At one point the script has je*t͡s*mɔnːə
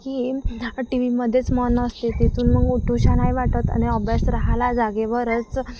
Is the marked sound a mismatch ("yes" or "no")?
no